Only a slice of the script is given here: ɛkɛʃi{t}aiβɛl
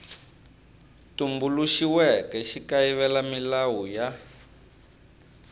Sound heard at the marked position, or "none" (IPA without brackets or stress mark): k